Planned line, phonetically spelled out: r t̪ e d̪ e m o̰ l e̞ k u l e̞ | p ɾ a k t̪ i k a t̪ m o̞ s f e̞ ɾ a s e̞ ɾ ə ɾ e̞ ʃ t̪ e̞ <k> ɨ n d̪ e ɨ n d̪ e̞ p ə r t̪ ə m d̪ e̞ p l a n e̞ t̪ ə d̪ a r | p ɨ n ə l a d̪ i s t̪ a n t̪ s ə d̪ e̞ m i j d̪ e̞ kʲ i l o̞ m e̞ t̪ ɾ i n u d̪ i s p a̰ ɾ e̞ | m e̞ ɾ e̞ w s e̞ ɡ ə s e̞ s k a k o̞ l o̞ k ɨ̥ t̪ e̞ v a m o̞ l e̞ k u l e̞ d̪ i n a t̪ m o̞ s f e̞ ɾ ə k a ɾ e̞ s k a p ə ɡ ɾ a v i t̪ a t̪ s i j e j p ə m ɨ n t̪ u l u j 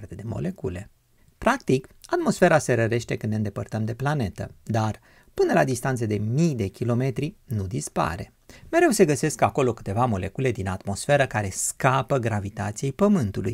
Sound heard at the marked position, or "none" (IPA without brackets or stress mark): k